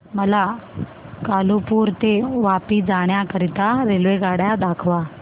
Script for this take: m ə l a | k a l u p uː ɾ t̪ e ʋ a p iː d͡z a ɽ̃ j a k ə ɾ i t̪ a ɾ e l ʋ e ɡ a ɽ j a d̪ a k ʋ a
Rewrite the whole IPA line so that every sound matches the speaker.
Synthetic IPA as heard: m ə l a | k a l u p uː ɾ t̪ e ʋ a p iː d͡z a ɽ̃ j a k ə ɾ i t̪ a ɾ e l ʋ e ɡ a ɽ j a d̪ a kʰ ʋ a